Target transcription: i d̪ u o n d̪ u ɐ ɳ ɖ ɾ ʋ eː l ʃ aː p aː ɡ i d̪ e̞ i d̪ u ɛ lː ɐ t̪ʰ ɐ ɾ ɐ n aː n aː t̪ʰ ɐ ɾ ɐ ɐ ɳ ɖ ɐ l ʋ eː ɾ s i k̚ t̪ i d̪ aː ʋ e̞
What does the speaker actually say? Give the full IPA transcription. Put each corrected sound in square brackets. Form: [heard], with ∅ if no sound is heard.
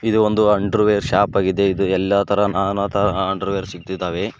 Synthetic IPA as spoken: i d̪ u o n d̪ u ɐ ɳ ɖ ɾ ʋ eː [ɾ] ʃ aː p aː ɡ i d̪ e̞ i d̪ u ɛ lː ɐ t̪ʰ ɐ ɾ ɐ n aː n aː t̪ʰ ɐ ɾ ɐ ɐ ɳ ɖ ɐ [ɾ] ʋ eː ɾ s i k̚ t̪ i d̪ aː ʋ e̞